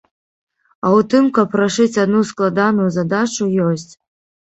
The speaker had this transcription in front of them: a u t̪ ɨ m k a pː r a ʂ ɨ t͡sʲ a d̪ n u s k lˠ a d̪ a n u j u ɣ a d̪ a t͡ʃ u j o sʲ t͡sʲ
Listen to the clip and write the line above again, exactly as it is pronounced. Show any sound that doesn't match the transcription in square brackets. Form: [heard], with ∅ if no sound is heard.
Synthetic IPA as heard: a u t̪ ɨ m k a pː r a ʂ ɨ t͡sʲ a d̪ n u s k lˠ a d̪ a n u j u [z] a d̪ a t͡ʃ u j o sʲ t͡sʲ